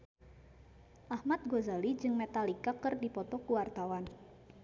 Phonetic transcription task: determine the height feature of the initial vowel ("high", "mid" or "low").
low